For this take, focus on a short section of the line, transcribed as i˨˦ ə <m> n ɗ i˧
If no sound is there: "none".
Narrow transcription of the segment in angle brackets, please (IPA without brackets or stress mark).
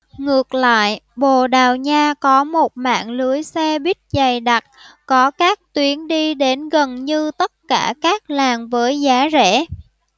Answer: none